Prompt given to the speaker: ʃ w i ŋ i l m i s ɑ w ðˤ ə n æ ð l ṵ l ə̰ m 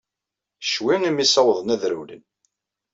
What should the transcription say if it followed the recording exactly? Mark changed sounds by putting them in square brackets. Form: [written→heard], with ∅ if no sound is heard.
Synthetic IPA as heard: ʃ w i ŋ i [l→∅] m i s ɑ w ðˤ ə n æ ð [l→ɾ] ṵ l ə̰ [m→n]